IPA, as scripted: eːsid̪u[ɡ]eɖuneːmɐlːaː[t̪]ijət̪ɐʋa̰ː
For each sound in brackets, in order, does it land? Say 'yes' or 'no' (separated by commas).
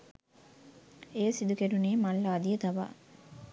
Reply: no, no